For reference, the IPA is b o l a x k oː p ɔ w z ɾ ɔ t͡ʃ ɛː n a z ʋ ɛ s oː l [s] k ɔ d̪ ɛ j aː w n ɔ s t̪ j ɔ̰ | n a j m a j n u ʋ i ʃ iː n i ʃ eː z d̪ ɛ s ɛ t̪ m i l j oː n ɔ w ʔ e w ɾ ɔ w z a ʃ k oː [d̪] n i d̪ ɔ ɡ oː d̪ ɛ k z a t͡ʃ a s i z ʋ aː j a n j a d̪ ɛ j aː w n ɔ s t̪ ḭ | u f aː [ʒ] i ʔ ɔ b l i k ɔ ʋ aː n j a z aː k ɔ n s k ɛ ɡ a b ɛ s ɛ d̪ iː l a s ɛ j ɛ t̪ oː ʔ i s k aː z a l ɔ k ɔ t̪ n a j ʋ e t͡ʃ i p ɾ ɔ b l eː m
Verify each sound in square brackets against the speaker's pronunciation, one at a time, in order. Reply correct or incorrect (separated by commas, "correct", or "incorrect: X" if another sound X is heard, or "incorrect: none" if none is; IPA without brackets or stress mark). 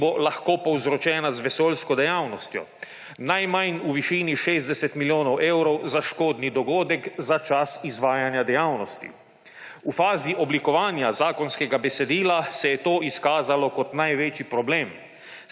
correct, correct, incorrect: z